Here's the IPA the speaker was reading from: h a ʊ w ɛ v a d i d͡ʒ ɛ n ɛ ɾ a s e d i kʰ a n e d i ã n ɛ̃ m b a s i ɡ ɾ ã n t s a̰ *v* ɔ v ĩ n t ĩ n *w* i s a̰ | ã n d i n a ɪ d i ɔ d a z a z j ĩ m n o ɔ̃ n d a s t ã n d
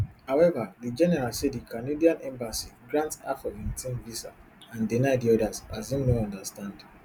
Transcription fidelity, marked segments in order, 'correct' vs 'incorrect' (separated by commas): incorrect, incorrect